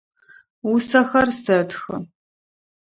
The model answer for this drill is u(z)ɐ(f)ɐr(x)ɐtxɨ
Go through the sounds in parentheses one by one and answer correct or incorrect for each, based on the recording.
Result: incorrect: s, incorrect: x, incorrect: s

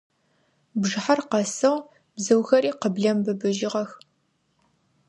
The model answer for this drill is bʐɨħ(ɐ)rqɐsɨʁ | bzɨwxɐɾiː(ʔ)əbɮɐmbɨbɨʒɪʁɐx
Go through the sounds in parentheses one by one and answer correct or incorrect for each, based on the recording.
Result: incorrect: a, incorrect: q

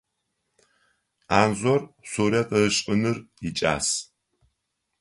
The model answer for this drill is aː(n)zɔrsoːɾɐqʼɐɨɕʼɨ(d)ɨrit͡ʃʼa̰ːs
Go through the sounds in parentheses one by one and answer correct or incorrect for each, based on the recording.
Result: correct, incorrect: n

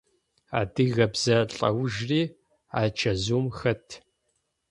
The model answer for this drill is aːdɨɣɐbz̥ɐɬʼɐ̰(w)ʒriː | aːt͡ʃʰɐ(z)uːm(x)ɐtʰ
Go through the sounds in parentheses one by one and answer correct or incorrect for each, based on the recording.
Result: correct, correct, correct

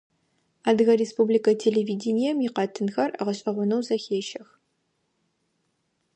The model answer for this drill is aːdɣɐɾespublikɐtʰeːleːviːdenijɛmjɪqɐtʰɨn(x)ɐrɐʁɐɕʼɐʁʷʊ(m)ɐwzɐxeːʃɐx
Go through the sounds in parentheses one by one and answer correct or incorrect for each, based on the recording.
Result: correct, incorrect: n

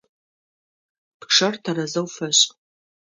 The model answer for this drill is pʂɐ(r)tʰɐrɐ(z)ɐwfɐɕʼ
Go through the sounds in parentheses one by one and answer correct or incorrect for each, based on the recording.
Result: correct, correct

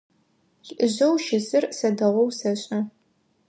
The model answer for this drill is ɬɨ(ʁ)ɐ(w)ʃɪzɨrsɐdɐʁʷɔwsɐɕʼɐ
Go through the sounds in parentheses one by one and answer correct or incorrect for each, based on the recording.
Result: incorrect: ʑ, correct

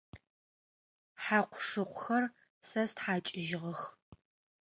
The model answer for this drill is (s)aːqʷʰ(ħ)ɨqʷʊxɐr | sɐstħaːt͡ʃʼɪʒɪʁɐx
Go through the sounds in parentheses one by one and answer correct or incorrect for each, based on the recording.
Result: incorrect: ħ, incorrect: ʂ

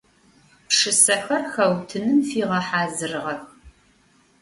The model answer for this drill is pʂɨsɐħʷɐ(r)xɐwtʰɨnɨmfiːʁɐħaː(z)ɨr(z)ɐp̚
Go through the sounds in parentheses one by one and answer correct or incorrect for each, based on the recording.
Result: correct, correct, incorrect: ʁ

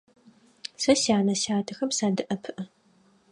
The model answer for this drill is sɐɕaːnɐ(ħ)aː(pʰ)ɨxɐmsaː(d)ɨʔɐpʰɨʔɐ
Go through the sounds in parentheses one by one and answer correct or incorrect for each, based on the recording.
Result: incorrect: ɕ, incorrect: tʰ, correct

